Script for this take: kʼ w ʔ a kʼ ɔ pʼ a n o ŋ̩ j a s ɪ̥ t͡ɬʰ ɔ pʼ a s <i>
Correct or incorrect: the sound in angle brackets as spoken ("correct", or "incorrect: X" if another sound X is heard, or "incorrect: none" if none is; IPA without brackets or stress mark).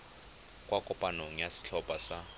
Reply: incorrect: a